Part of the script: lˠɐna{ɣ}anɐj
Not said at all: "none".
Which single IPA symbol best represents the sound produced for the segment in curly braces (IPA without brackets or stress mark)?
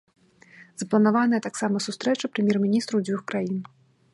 v